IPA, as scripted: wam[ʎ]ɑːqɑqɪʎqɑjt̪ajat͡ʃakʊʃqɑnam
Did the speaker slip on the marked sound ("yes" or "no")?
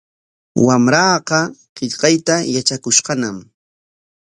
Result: yes